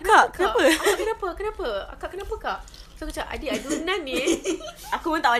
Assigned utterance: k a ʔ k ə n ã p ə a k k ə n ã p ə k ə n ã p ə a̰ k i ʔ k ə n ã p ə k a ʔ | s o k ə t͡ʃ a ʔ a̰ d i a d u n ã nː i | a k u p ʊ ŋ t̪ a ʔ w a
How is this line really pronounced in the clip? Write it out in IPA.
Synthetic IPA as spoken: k a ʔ k ə n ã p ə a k k ə n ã p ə k ə n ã p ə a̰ k a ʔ k ə n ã p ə k a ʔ | s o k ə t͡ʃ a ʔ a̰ d i a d u n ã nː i | a k u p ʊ n t̪ a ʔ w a